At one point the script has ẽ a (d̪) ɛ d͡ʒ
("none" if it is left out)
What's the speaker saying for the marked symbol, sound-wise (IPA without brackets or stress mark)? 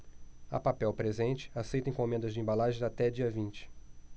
t̪